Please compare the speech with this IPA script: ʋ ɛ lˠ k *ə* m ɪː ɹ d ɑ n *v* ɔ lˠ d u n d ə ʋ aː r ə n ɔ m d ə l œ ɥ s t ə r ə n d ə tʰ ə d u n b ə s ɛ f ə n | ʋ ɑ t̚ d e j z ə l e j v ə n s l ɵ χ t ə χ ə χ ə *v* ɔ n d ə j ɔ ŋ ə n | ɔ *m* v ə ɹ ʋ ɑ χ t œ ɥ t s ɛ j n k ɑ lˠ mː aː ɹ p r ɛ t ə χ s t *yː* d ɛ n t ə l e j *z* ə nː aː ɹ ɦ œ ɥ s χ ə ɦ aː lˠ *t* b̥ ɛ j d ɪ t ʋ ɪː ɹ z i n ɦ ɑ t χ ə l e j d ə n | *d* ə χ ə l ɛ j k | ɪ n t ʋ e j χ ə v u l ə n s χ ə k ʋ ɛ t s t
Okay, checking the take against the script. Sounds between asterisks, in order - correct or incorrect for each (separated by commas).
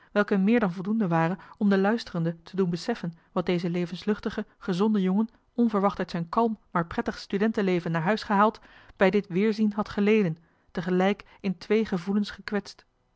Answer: correct, correct, incorrect, incorrect, incorrect, incorrect, correct, incorrect